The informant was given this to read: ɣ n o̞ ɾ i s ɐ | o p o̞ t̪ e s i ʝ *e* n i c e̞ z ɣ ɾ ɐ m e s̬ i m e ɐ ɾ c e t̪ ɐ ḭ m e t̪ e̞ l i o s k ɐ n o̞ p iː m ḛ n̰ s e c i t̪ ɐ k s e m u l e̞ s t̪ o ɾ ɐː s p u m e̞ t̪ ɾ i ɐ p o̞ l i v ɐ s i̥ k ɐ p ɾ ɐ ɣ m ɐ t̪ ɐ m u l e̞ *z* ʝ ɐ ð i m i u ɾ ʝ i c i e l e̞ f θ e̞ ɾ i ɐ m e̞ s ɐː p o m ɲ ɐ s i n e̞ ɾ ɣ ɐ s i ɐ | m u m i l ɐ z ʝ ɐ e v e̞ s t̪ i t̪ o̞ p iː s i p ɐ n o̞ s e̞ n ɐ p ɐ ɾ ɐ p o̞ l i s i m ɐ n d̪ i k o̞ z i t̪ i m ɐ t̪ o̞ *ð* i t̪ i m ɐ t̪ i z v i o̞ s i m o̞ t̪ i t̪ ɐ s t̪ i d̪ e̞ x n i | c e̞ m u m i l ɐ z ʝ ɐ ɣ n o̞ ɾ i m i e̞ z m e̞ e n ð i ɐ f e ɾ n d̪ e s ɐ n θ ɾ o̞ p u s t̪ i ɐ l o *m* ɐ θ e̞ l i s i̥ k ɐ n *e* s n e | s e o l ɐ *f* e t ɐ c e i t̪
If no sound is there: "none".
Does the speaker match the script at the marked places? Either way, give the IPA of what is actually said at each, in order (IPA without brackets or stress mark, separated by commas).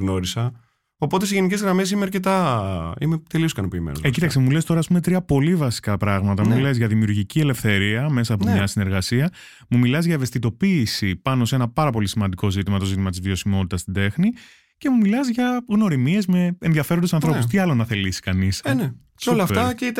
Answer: e, z, z, n, i, f